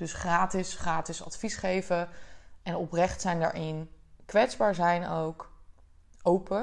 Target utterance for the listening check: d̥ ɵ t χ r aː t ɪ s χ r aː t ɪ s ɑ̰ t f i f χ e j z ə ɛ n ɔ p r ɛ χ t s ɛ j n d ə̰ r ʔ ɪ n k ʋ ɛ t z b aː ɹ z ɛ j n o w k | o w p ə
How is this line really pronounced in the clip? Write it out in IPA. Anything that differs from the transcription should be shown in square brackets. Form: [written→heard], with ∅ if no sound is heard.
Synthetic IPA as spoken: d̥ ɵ [t→s] χ r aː t ɪ s χ r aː t ɪ s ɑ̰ t f i [f→s] χ e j [z→v] ə ɛ n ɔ p r ɛ χ t s ɛ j n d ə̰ [r→ɹ] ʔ ɪ n k ʋ ɛ t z b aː ɹ z ɛ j n o w k | o w p ə